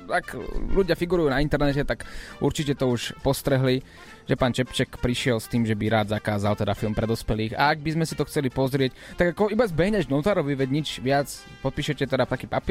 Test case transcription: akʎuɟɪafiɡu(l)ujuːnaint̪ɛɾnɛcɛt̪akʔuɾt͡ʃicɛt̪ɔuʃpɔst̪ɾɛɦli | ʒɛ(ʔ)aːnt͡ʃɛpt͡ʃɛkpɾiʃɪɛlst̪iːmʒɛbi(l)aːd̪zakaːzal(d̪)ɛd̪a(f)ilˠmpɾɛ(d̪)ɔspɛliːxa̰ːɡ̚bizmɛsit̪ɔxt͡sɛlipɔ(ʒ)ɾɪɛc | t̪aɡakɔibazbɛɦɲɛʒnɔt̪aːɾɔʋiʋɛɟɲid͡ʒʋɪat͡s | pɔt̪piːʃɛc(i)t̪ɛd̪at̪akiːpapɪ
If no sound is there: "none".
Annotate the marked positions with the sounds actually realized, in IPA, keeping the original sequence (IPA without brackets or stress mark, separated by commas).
ɾ, p, ɾ, t̪, f, d̪, z, ɛ